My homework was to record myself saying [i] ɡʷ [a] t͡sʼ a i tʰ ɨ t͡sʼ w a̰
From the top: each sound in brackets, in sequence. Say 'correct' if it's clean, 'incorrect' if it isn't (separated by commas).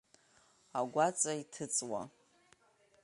incorrect, correct